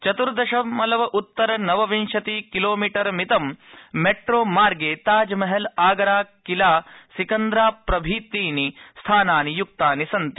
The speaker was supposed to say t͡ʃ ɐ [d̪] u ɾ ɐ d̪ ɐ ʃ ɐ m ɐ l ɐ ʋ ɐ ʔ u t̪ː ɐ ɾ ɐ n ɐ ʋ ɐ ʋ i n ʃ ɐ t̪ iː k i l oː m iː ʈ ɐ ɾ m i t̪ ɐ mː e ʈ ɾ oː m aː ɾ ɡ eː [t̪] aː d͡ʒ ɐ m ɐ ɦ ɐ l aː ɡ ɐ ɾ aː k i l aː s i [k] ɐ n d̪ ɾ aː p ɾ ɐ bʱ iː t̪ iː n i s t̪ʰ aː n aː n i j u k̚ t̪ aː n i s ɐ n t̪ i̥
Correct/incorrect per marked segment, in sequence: incorrect: t̪, correct, correct

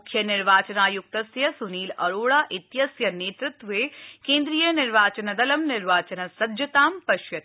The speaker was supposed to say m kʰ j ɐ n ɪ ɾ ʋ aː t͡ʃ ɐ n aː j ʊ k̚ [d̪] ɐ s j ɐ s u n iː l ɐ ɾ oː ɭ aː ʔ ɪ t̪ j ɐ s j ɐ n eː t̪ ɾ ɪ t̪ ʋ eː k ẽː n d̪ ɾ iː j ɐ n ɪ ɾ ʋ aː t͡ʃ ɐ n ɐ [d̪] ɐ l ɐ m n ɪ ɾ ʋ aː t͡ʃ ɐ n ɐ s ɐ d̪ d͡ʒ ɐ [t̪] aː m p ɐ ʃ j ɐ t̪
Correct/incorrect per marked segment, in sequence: incorrect: t̪, correct, correct

